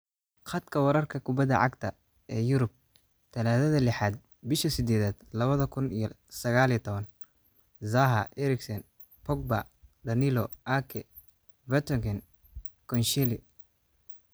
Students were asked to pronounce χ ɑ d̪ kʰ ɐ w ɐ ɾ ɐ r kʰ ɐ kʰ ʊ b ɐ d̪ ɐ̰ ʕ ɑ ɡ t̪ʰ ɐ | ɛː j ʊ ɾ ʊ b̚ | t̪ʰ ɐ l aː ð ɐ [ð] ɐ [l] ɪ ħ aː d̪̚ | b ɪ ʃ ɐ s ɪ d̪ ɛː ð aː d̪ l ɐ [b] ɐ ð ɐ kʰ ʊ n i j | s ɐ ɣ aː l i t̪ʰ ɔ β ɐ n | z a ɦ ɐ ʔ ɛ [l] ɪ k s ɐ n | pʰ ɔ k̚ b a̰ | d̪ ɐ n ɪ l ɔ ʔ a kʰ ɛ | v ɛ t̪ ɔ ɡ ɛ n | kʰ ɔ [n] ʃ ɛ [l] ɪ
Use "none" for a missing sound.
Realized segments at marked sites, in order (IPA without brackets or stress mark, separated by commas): ð, l, β, ɾ, n, l